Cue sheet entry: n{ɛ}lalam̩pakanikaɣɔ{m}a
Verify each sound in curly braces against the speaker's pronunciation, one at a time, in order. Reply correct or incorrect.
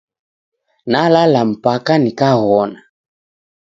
incorrect, incorrect

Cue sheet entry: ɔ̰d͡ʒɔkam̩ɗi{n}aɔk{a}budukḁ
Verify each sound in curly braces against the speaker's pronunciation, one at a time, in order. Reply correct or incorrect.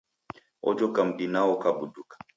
correct, correct

